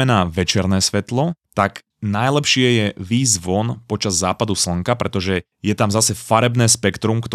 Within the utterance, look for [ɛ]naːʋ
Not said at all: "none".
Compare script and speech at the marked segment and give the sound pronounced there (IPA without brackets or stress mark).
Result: ɛ